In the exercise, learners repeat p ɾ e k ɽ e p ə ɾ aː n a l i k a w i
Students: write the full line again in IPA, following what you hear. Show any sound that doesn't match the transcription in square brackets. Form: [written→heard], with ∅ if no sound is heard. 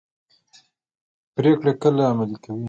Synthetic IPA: p ɾ e k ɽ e [p→k] ə [ɾ→l] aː [n→m] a l i k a w i